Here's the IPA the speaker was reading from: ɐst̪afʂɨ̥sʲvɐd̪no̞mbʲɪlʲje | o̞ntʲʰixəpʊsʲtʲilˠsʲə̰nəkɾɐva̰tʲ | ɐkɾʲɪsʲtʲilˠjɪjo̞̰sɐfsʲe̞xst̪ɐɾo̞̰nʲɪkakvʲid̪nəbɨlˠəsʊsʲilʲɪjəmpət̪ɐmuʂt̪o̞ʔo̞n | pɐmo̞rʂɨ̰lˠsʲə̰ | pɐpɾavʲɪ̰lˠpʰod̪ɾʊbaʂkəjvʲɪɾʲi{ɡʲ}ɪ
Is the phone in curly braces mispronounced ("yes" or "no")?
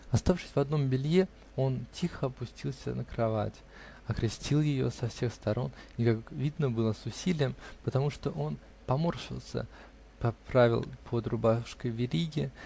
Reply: no